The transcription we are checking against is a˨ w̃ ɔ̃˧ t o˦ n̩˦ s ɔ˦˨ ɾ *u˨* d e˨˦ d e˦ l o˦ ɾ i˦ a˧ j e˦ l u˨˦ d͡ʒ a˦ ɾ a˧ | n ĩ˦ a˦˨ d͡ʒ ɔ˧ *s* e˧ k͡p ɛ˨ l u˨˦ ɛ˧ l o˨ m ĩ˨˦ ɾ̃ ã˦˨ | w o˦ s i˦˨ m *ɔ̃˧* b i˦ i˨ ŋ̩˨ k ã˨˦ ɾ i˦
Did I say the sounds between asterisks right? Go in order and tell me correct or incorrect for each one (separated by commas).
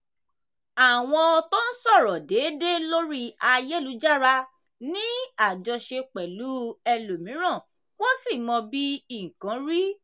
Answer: incorrect, incorrect, correct